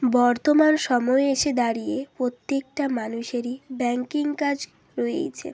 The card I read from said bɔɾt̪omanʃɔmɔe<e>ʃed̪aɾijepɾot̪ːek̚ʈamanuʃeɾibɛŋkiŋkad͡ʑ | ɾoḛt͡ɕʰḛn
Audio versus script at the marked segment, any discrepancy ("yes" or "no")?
no